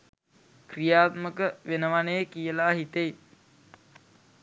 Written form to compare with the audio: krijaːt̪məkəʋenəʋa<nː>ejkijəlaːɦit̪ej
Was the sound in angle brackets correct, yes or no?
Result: no